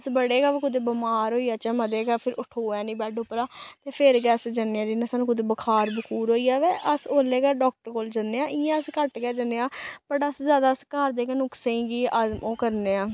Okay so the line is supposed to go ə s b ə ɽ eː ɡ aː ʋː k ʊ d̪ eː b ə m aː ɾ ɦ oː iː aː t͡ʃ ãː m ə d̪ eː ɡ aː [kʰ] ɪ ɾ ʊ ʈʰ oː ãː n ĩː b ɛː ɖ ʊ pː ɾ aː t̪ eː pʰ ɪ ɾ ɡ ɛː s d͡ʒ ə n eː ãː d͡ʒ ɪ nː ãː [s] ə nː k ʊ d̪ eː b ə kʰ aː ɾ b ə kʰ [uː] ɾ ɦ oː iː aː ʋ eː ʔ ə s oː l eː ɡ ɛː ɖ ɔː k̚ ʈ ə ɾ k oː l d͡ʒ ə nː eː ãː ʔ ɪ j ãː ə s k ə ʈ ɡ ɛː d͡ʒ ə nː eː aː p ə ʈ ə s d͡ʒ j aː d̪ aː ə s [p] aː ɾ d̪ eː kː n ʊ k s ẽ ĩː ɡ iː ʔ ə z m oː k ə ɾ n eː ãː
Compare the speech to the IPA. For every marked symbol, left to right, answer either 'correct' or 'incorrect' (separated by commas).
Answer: incorrect, correct, correct, incorrect